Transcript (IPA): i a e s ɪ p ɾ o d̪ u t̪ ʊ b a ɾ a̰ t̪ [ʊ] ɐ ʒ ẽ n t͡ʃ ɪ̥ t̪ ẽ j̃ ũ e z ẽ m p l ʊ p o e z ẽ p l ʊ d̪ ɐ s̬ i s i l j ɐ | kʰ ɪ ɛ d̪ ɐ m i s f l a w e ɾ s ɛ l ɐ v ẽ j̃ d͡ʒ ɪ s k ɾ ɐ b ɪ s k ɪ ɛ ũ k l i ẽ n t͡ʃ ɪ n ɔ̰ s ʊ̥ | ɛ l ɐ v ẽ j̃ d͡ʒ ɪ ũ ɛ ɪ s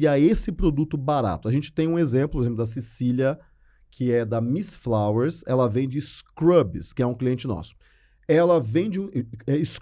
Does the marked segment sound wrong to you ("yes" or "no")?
no